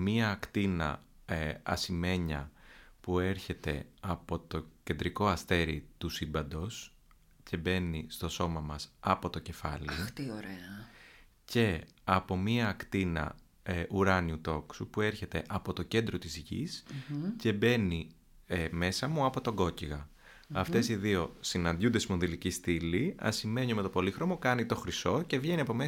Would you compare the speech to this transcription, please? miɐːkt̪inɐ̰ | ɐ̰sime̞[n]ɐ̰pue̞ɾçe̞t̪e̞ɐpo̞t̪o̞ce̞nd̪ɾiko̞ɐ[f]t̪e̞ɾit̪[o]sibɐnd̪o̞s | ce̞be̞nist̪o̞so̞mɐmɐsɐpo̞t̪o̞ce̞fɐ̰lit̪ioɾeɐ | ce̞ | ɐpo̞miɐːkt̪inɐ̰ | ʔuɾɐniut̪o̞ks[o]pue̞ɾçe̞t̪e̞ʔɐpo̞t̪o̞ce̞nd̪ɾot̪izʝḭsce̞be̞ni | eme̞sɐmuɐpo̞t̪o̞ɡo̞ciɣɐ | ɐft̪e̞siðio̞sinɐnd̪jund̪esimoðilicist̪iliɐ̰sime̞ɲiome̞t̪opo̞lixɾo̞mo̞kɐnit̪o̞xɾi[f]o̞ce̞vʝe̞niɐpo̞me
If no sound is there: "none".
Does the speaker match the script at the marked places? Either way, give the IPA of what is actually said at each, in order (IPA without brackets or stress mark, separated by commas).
ɲ, s, u, u, s